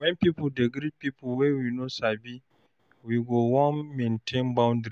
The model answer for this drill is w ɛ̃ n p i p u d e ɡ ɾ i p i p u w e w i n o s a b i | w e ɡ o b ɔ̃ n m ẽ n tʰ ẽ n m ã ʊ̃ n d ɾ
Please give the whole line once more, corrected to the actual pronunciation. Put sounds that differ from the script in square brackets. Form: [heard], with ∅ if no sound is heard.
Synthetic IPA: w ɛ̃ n p i p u d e ɡ ɾ i p i p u w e w i n o s a b i | w [i] ɡ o [w] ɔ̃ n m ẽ n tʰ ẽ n [b] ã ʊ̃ n d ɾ